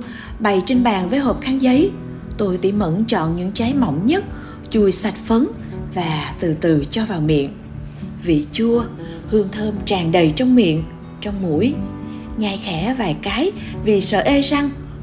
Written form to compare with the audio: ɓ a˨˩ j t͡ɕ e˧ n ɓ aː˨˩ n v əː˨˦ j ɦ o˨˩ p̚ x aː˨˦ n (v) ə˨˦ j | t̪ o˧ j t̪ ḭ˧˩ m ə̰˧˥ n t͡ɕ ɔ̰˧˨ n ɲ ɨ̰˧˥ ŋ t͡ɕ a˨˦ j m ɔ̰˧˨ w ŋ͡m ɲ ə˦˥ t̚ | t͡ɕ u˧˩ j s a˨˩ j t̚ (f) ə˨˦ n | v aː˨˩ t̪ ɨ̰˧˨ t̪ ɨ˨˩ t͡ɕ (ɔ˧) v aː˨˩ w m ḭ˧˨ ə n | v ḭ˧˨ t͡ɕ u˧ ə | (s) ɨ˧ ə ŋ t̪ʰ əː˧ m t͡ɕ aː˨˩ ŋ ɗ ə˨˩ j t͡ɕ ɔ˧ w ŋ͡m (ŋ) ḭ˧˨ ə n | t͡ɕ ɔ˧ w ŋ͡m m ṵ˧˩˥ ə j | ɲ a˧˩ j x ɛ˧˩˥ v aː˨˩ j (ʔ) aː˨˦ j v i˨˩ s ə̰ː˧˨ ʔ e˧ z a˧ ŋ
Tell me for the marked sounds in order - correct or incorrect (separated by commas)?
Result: incorrect, correct, correct, incorrect, incorrect, incorrect